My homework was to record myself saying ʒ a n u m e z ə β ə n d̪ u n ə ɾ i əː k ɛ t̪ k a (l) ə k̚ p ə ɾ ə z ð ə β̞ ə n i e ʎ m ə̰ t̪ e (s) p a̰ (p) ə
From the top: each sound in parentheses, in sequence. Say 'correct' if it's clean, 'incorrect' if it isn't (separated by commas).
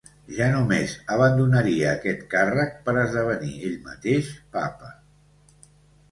incorrect, incorrect, correct